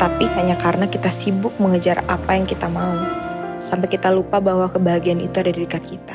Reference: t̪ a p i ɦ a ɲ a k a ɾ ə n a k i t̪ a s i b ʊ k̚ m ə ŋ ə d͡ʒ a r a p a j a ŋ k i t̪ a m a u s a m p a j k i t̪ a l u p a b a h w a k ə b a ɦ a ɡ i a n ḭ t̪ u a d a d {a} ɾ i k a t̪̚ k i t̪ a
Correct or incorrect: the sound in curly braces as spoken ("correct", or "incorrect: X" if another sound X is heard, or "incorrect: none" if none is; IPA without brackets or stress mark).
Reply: incorrect: i